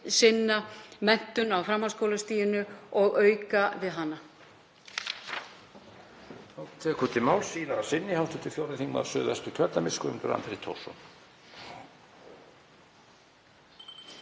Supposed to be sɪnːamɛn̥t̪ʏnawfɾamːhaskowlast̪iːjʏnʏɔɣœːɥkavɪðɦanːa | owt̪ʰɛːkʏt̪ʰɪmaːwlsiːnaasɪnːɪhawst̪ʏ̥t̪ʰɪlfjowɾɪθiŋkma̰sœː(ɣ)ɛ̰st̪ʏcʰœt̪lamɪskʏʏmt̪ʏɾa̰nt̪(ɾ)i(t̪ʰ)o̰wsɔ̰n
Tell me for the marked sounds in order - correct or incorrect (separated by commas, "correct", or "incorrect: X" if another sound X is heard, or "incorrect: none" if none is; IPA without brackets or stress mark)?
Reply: incorrect: ð, correct, correct